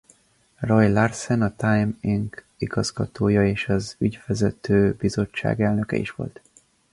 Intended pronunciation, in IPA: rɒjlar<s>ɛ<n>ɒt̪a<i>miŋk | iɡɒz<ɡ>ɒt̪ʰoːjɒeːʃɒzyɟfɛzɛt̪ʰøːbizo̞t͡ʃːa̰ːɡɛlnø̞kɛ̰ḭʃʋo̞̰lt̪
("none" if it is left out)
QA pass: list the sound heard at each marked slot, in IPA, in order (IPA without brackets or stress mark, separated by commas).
s, n, j, ɡ